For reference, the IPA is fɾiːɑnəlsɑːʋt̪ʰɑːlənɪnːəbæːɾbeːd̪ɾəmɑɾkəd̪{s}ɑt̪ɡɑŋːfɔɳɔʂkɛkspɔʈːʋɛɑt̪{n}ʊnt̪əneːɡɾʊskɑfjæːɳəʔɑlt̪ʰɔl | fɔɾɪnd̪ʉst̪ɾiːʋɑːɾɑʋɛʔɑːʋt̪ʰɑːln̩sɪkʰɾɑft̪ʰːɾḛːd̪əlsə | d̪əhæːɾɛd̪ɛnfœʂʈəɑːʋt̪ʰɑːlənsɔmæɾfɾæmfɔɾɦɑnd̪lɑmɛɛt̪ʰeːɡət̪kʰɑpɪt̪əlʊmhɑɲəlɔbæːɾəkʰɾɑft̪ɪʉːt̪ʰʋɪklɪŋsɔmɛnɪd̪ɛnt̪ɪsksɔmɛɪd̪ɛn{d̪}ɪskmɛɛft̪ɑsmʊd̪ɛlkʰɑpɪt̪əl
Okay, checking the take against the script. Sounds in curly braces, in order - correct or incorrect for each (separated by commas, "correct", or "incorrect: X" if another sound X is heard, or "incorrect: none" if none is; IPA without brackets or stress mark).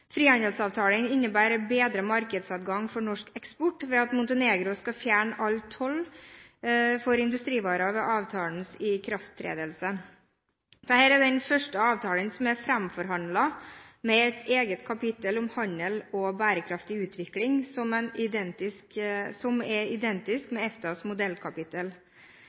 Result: correct, incorrect: m, incorrect: t̪